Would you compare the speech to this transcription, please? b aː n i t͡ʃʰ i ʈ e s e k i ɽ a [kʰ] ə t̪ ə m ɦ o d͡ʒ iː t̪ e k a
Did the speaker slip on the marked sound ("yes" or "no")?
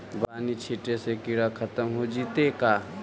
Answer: no